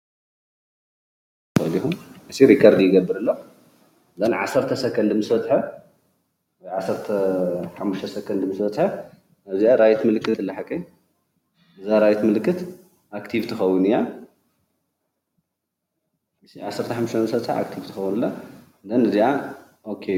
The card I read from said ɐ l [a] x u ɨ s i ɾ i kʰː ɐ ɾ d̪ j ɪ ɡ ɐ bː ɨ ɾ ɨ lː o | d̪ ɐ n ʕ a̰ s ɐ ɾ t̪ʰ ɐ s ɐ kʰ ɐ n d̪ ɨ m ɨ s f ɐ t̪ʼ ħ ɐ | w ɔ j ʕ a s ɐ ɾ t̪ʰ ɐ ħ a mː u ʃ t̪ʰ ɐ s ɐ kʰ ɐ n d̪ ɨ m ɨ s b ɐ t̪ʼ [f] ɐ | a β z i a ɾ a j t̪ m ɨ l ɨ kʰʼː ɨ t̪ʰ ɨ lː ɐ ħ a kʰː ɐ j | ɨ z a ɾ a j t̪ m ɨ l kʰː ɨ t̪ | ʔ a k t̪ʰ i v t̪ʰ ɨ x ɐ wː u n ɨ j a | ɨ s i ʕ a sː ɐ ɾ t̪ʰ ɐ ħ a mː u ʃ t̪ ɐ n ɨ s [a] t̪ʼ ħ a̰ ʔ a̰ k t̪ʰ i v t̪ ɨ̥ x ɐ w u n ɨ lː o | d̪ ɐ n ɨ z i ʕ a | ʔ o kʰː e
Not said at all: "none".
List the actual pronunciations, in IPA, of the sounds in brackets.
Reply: i, ħ, ɐ

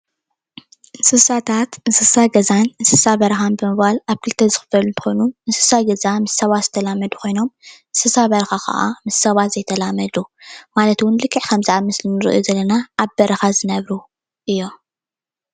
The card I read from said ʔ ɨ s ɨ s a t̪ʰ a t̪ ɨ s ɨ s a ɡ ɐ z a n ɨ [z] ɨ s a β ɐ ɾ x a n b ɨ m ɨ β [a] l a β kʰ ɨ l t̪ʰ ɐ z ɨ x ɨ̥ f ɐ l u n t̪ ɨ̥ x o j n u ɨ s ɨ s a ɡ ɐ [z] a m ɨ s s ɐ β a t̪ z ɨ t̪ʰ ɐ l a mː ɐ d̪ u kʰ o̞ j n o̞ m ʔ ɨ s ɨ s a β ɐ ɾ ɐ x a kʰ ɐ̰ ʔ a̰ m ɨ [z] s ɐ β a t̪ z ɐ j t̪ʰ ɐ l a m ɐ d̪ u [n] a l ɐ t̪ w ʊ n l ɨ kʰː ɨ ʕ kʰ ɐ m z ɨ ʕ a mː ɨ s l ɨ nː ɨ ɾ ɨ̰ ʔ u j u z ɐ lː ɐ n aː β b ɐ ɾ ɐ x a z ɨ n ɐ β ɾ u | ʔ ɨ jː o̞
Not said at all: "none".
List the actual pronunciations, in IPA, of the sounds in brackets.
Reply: s, a, z, s, m

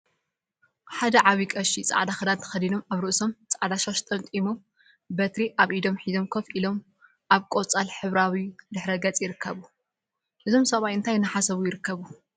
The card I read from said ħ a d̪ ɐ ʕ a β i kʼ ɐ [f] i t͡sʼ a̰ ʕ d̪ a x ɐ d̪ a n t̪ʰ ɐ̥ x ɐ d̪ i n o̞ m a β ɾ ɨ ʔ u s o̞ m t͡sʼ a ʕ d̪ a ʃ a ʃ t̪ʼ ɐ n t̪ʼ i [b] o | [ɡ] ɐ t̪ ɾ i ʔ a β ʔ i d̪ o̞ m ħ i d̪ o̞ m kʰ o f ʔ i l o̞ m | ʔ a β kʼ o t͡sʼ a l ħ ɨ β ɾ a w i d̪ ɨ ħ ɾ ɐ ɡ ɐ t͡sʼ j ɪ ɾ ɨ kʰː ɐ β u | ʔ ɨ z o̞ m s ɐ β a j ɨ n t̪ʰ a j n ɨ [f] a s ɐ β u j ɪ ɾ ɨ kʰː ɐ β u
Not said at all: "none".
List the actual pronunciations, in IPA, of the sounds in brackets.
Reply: ʃ, m, b, ħ

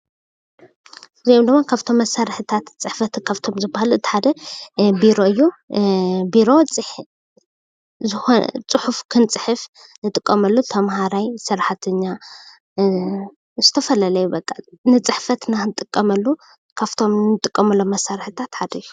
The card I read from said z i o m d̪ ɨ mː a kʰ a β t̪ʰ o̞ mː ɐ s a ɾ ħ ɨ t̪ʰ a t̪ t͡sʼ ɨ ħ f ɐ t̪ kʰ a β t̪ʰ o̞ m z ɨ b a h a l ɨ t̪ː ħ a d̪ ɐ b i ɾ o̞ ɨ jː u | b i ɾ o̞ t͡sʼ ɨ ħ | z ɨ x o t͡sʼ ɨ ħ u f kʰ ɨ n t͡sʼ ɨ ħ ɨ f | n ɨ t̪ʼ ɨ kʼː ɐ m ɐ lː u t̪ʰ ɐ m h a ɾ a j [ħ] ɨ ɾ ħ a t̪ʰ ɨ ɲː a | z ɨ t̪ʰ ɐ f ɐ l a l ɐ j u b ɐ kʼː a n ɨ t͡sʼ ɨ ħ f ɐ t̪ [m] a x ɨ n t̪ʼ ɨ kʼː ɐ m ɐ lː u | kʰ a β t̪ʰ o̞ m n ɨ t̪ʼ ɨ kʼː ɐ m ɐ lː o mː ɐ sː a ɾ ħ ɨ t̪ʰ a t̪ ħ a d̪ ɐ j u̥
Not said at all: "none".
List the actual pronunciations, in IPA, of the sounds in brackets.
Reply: s, n

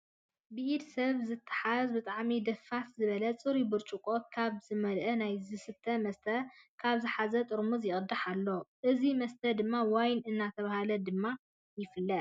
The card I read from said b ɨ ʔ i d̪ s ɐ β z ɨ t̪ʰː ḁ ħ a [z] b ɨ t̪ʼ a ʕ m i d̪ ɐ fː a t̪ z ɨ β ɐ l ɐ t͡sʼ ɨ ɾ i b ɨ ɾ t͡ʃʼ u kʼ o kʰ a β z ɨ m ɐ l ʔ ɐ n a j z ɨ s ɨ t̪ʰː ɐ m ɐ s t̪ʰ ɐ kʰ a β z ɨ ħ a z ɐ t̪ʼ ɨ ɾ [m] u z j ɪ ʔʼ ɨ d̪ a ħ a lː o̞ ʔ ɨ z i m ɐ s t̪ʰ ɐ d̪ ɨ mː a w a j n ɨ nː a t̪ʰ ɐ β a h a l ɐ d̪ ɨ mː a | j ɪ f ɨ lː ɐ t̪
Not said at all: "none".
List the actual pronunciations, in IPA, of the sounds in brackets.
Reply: z, m

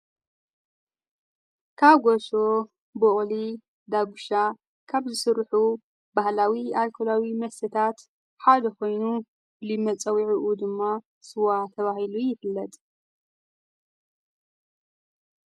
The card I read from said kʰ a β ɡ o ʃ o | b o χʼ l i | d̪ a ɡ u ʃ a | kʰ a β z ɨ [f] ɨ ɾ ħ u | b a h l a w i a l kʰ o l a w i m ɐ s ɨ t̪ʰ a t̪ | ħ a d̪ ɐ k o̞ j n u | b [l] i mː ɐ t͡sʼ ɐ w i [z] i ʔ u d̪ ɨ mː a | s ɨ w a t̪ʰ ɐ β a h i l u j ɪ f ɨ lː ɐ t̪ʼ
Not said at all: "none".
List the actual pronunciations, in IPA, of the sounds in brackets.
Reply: s, l, ʕ

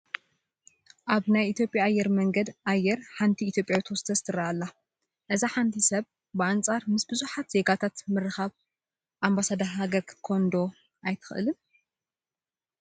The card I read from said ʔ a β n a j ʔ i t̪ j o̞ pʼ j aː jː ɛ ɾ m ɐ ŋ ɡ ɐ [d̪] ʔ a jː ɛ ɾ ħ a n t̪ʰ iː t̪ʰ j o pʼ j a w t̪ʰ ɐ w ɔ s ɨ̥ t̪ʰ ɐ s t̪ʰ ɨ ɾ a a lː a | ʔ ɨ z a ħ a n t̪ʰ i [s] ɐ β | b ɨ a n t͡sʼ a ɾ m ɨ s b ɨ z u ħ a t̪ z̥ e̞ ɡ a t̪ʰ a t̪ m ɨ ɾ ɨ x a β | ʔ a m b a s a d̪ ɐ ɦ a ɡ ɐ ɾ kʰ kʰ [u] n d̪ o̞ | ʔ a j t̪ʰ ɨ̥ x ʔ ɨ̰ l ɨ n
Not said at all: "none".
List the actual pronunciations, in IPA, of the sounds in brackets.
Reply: d̪, s, o

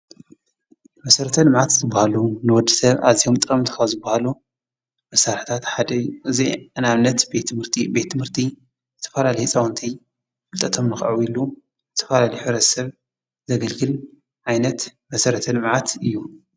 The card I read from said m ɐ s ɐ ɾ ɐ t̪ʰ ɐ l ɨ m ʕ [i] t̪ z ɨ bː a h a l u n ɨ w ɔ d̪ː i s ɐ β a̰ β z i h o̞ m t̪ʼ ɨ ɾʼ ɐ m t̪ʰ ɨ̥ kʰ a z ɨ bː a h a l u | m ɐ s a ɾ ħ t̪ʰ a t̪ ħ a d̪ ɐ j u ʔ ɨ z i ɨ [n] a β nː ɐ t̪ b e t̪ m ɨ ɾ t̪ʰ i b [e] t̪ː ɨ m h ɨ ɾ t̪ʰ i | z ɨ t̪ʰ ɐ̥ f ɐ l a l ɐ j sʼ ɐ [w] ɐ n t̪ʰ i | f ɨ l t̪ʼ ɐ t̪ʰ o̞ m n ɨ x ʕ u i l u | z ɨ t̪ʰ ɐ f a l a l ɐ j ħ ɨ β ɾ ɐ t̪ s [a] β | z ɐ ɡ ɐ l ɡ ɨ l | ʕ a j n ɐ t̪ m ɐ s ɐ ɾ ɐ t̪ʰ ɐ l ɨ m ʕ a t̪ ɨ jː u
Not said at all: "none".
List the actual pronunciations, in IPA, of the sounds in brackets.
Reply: a, n, e, w, ɐ

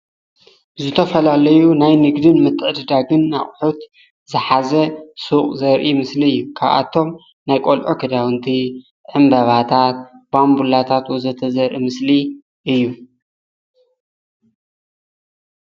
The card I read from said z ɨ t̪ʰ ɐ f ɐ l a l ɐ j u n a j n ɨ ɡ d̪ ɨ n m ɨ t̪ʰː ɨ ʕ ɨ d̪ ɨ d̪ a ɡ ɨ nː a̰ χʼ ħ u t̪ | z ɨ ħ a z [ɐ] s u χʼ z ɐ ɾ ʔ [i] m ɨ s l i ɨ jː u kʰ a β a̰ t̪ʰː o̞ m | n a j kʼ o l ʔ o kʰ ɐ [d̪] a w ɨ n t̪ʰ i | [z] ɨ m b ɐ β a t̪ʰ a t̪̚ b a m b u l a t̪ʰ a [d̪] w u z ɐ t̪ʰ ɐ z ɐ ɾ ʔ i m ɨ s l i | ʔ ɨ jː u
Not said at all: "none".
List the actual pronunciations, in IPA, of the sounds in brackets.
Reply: ɐ, i, d̪, ʕ, t̪

